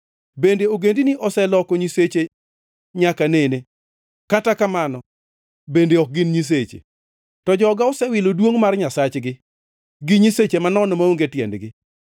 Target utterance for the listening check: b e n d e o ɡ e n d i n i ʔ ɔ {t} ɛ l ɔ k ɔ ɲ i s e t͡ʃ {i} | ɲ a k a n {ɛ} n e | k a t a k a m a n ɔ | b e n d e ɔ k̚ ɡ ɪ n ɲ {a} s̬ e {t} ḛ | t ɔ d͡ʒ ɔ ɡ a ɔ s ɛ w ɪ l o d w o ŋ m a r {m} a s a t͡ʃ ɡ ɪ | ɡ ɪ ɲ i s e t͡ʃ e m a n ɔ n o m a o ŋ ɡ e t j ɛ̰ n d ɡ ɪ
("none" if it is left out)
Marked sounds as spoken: s, e, e, i, t͡ʃ, ɲ

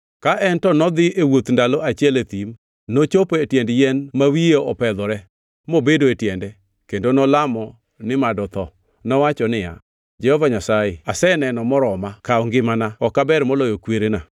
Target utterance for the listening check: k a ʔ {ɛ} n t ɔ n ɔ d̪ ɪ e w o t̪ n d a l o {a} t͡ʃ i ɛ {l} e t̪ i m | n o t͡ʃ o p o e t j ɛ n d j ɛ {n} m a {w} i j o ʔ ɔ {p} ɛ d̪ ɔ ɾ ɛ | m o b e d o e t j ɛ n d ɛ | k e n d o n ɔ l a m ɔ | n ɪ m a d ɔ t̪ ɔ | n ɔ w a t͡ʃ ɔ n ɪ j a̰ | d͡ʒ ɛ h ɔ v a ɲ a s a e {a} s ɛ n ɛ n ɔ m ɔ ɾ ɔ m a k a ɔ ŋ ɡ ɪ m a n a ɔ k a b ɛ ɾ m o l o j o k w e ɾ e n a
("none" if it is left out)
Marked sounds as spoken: ɛ, a, l, n, w, p, a

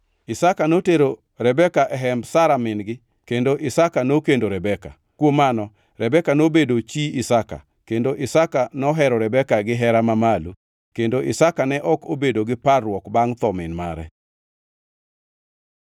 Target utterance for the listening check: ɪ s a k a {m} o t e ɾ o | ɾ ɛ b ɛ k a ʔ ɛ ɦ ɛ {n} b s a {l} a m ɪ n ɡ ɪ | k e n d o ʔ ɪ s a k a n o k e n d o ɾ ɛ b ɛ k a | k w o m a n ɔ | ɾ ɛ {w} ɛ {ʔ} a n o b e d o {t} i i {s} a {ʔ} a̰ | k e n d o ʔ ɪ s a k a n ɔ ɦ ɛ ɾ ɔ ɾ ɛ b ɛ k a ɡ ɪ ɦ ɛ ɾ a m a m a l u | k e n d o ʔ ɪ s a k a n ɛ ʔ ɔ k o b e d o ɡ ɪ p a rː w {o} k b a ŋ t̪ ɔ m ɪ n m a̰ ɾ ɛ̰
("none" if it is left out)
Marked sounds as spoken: n, m, ɾ, b, k, t͡ʃ, s, k, ɔ

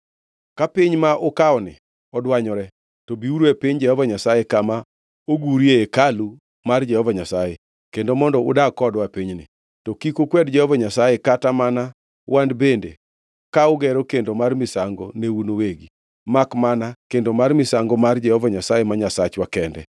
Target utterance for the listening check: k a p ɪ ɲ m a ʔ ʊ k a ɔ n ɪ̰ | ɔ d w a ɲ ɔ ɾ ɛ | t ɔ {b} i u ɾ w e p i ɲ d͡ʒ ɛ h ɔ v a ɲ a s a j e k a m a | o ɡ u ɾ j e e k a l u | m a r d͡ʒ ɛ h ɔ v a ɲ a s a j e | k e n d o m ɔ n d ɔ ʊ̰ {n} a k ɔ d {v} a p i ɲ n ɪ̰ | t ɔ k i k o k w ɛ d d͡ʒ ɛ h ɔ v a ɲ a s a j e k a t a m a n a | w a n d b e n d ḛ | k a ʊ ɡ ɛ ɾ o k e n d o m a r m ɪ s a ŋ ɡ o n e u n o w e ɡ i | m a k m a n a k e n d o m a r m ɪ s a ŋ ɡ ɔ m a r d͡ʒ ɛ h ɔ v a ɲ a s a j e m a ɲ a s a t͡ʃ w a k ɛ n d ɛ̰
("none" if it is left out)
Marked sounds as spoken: b, d, w

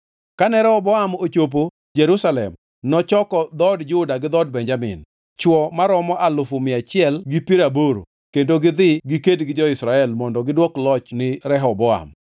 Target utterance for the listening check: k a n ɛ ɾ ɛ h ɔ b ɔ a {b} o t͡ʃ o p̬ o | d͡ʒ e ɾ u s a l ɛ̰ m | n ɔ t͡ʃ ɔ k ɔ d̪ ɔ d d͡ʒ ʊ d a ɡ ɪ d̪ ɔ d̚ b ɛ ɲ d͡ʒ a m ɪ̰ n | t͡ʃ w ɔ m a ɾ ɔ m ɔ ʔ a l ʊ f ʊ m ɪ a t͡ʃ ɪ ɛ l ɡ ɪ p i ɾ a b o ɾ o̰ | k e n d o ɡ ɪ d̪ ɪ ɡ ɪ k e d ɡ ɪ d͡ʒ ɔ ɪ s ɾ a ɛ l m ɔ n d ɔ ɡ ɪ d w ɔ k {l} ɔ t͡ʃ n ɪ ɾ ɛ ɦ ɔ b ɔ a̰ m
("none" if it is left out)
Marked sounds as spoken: m, l

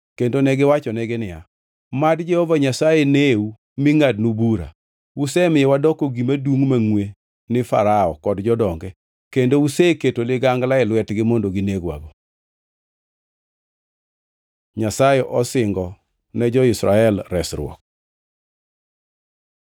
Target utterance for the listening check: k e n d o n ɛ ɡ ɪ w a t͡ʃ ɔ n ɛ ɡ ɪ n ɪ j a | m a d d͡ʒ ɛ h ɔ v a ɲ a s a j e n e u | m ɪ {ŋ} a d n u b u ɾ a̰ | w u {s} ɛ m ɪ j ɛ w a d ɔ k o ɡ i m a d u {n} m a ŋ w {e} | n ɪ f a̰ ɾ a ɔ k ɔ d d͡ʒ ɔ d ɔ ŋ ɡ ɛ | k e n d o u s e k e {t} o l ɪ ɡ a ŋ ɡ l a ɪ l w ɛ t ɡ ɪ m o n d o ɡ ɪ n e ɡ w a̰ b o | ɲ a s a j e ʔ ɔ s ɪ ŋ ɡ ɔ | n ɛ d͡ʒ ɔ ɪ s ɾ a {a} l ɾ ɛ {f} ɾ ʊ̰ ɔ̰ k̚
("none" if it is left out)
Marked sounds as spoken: ŋ, s, ŋ, e, t, ɛ, s

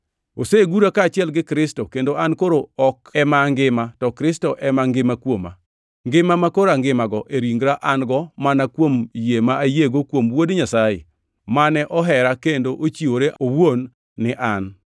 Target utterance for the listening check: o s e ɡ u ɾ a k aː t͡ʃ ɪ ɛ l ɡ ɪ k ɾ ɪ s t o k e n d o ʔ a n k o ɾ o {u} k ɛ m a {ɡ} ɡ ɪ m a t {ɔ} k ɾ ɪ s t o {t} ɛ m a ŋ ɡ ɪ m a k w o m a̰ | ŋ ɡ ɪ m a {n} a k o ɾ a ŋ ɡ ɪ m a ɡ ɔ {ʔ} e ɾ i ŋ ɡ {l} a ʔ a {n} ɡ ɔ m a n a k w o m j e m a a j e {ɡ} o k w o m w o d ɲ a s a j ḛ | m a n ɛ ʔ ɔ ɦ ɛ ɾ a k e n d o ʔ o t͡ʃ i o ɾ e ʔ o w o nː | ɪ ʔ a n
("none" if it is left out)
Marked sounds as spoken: ɔ, ŋ, ɔ, ʔ, m, ʔ, ɾ, n, ɡ

